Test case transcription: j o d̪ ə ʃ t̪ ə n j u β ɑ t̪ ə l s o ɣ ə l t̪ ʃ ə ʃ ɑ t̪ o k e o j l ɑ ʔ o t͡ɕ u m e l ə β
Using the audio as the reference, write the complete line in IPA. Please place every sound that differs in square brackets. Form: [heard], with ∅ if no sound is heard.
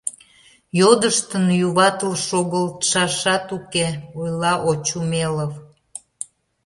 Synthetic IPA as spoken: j o d̪ ə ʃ t̪ ə n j u β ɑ t̪ ə l [ʃ] o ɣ ə l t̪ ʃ [ɑ] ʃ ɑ t̪ [u] k e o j l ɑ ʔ o t͡ɕ u m e l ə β